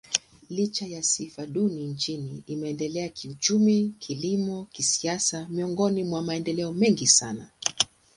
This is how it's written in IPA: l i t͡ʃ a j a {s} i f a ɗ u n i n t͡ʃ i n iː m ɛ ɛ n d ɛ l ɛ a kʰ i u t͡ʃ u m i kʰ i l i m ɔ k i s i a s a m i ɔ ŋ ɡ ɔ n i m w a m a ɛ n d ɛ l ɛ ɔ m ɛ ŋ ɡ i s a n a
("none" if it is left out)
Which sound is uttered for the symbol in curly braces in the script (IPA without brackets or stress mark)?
s